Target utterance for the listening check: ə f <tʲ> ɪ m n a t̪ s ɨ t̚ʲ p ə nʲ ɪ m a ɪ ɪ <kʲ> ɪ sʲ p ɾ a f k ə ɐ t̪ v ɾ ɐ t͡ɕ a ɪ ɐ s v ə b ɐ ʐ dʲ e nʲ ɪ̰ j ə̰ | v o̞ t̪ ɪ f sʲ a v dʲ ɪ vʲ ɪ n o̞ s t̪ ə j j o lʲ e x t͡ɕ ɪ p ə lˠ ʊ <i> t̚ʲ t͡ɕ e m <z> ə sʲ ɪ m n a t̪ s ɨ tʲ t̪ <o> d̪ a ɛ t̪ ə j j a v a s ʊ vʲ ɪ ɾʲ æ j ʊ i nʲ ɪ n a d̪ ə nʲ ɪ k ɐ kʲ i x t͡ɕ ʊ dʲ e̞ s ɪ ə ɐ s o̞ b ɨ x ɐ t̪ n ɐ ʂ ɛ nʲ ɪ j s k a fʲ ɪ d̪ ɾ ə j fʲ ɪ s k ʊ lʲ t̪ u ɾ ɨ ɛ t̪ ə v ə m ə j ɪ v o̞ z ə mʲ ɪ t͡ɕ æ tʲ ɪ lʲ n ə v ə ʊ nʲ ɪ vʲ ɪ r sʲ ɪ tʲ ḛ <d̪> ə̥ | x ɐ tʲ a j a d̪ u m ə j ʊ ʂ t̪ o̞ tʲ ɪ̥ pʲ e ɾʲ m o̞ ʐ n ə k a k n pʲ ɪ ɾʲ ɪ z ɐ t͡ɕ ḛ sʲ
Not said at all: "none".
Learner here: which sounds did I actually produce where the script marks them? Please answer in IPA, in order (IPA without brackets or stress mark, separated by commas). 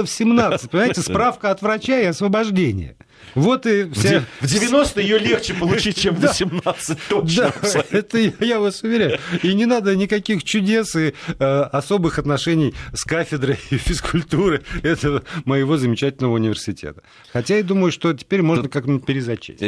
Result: sʲ, tʲ, i, v, o, t̪